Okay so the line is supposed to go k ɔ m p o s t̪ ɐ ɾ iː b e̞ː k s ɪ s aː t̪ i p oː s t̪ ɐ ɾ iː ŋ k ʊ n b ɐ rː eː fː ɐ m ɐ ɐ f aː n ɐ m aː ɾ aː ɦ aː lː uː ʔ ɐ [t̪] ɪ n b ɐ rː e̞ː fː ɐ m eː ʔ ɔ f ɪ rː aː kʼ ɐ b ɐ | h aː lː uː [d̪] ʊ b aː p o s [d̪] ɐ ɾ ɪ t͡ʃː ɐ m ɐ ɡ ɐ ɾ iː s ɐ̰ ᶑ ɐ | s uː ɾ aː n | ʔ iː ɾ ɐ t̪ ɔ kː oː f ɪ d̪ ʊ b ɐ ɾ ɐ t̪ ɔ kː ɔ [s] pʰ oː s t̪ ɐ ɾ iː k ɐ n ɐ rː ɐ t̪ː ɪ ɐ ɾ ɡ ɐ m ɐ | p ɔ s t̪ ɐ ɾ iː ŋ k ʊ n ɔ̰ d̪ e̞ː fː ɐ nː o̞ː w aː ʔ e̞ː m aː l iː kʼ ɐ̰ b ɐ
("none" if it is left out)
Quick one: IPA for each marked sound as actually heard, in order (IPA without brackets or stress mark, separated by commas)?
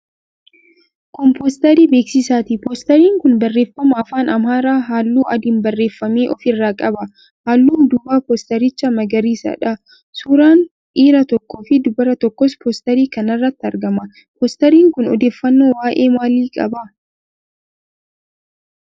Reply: d̪, d̪, t̪, s